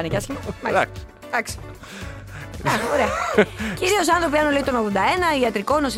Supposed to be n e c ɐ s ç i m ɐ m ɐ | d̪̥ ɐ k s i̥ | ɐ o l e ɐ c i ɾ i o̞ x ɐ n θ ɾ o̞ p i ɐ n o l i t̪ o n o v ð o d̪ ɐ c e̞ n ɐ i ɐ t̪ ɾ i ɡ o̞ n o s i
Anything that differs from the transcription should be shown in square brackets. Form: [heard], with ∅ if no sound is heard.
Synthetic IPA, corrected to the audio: n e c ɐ s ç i m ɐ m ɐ | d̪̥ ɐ k s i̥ | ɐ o [ɾ] e ɐ c i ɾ i o̞ [s] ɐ n θ ɾ o̞ p i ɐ n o l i t̪ o n o [ɣ] ð o d̪ ɐ [∅] e̞ n ɐ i ɐ t̪ ɾ i [k] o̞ n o s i